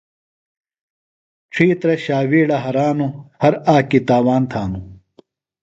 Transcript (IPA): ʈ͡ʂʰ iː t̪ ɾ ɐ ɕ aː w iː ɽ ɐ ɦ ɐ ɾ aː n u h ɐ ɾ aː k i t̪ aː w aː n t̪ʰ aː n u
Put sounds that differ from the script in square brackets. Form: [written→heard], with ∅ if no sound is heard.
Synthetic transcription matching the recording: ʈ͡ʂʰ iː t̪ ɾ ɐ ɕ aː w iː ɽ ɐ ɦ ɐ ɾ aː n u h ɐ ɾ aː k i t̪ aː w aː n t̪ʰ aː n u